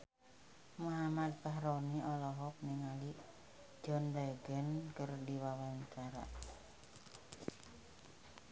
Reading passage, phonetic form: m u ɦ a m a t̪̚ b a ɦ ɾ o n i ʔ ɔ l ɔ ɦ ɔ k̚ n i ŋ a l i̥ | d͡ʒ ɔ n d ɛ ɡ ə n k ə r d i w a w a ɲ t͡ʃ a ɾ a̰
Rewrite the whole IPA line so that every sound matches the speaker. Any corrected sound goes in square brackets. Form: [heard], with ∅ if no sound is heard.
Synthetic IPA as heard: m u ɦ a m a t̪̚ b a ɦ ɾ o n i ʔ ɔ l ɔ ɦ ɔ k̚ n i ŋ a l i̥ | d͡ʒ ɔ n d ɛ ɡ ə n k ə r d i w a w a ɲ t͡ʃ a ɾ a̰